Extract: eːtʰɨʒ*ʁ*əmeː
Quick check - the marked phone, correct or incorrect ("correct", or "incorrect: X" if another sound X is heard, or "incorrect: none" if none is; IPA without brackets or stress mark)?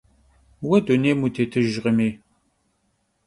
correct